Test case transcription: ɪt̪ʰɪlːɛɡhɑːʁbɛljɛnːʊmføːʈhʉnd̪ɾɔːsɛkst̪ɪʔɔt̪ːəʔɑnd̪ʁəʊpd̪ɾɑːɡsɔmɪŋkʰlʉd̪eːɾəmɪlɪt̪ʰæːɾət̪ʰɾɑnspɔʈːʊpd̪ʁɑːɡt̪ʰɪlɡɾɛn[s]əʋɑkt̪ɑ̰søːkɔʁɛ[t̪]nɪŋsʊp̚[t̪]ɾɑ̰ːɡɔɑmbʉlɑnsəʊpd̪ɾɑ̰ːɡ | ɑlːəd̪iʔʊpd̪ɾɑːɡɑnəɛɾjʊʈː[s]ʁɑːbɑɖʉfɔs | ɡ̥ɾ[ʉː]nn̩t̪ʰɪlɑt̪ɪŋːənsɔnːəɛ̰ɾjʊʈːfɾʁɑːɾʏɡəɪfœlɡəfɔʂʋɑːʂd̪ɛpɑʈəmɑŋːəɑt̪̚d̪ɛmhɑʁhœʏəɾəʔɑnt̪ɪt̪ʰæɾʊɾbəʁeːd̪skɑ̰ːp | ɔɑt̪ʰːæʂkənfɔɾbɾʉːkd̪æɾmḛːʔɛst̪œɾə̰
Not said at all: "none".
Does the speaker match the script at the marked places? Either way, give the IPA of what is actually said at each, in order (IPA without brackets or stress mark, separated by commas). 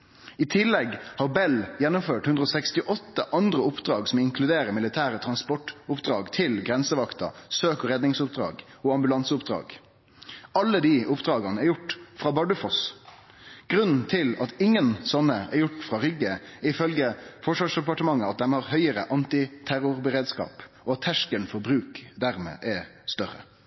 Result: s, d̪, d̪, f, ʉ